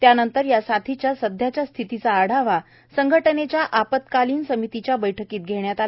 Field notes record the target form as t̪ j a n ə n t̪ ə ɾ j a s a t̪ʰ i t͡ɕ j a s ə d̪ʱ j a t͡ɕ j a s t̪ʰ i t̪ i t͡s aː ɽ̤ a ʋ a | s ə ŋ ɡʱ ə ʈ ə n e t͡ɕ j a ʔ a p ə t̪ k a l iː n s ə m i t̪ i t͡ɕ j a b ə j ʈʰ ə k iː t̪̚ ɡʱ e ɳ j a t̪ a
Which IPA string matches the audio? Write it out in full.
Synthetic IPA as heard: t̪ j a n ə n t̪ ə ɾ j a s a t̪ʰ i t͡ɕ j a s ə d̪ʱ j a t͡ɕ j a s t̪ʰ i t̪ i t͡s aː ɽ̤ a ʋ a | s ə ŋ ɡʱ ə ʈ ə n e t͡ɕ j a ʔ a p ə t̪ k a l iː n s ə m i t̪ i t͡ɕ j a b ə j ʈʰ ə k iː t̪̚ ɡʱ e ɳ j a t̪ a